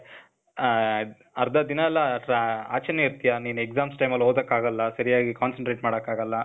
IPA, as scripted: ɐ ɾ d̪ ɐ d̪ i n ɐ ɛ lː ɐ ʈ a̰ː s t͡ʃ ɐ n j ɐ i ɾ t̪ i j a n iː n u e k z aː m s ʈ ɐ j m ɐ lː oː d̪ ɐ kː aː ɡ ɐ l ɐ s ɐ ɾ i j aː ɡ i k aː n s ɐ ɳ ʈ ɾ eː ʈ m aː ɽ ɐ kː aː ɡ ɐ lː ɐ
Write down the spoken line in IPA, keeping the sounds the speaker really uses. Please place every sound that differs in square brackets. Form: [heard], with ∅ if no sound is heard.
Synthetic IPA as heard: ɐ ɾ d̪ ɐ d̪ i n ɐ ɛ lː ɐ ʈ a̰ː [∅] t͡ʃ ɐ n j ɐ i ɾ t̪ i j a n iː n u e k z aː m s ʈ ɐ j m ɐ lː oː d̪ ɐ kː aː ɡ ɐ [lː] ɐ s ɐ ɾ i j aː ɡ i k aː n s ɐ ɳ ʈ ɾ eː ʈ m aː ɽ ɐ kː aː ɡ ɐ lː ɐ